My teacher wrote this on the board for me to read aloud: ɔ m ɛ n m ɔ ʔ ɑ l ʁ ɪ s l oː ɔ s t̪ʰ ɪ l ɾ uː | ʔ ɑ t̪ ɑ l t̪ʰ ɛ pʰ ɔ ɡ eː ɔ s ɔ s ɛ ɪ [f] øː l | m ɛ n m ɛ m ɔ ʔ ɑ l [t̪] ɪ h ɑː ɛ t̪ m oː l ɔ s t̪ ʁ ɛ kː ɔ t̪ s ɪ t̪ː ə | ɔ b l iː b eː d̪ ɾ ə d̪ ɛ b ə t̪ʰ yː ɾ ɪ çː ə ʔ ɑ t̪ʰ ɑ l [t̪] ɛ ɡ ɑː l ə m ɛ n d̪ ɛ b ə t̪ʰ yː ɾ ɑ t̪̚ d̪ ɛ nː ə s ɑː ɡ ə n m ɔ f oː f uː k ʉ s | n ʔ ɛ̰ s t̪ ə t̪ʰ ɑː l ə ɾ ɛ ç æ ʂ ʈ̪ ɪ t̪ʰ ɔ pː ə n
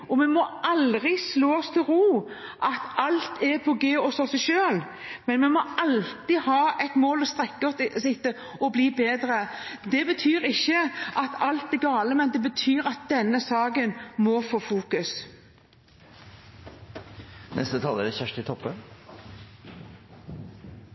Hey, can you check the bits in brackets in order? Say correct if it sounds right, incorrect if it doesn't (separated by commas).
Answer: incorrect, correct, correct